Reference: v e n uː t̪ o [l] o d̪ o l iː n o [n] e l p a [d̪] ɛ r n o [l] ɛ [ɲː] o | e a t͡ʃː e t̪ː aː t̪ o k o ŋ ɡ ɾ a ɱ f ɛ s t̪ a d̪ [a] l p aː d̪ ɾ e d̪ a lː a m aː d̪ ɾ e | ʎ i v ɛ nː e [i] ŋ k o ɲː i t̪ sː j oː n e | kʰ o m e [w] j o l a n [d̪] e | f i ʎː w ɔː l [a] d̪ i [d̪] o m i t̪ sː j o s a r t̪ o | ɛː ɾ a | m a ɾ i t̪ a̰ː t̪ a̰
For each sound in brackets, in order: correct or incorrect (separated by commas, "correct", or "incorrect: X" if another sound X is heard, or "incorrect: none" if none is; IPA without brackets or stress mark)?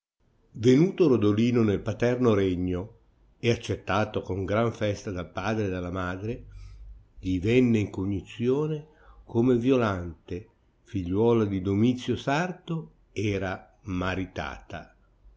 incorrect: ɾ, correct, incorrect: t̪, incorrect: ɾ, correct, correct, correct, incorrect: v, incorrect: t̪, correct, correct